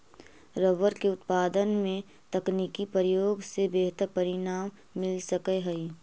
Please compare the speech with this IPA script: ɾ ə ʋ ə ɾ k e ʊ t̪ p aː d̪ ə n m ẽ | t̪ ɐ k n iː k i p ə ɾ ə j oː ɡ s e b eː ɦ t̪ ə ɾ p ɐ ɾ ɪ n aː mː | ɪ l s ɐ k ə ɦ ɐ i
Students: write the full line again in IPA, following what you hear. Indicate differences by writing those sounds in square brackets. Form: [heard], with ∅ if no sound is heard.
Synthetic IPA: ɾ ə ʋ ə ɾ k e ʊ t̪ p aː d̪ ə n m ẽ | t̪ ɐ k n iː k i p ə ɾ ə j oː ɡ s e b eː ɦ t̪ ə ɾ p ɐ ɾ ɪ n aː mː | ɪ l s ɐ k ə ɦ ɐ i